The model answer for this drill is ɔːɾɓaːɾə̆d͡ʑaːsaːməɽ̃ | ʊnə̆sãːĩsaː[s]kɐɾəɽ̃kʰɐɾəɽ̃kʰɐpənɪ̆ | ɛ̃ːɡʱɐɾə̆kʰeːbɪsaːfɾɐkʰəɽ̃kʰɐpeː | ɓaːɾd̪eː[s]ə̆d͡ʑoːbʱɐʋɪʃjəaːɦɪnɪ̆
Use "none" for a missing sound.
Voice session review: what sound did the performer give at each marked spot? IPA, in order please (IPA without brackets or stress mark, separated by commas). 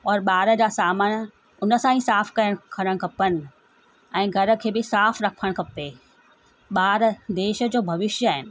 f, ʃ